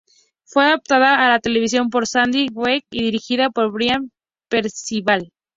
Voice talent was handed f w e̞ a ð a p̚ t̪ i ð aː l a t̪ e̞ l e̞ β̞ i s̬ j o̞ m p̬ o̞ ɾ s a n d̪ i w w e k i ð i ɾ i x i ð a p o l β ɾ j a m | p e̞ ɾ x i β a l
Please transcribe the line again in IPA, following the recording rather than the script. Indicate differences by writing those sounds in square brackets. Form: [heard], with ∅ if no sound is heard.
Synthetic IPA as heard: f w e̞ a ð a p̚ t̪ [a] ð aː l a t̪ e̞ l e̞ β̞ i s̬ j o̞ m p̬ o̞ ɾ s a n d̪ i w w e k i ð i ɾ i x i ð a p o [ɾ] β ɾ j a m | p e̞ ɾ [s] i β a l